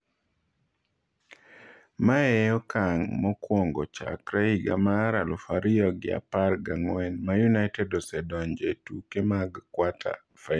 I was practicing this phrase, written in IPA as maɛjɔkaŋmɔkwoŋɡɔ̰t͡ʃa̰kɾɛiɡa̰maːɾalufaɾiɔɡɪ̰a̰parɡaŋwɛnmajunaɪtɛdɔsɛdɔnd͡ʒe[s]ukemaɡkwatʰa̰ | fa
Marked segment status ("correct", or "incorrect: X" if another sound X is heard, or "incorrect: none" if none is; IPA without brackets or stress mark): incorrect: t